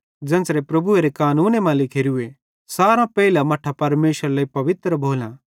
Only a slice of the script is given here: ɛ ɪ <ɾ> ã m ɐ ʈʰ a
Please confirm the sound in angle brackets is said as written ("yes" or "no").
no